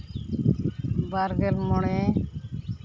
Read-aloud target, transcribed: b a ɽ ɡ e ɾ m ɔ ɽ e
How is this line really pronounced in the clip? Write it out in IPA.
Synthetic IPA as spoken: b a ɾ ɡ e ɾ m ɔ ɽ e